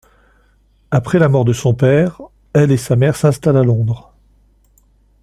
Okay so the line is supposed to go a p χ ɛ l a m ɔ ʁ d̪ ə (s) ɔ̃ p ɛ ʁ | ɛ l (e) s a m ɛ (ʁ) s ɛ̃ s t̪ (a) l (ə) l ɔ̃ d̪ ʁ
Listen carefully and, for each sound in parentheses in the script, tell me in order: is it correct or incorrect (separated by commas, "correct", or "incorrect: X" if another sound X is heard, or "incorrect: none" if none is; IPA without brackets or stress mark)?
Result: correct, correct, correct, correct, incorrect: a